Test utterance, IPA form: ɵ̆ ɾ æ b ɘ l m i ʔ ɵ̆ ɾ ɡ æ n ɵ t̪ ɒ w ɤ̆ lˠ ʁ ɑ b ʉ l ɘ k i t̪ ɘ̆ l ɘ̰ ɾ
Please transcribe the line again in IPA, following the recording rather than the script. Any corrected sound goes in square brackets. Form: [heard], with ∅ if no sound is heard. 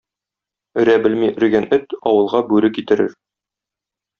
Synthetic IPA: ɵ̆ ɾ æ b ɘ l m i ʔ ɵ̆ ɾ ɡ æ n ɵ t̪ ɒ w ɤ̆ lˠ ʁ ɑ b ʉ [ɾ] ɘ k i t̪ ɘ̆ [ɾ] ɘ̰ ɾ